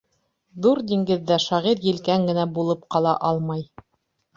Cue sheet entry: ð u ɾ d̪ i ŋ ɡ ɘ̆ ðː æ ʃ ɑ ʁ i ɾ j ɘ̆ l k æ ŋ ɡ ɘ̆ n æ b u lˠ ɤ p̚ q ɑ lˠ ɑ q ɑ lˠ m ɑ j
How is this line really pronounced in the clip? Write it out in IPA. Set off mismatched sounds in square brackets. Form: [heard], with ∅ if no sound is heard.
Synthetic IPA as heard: ð u ɾ d̪ i ŋ ɡ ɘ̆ ðː æ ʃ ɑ ʁ i ɾ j ɘ̆ l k æ ŋ ɡ ɘ̆ n æ b u lˠ ɤ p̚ q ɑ lˠ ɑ [ʔ] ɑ lˠ m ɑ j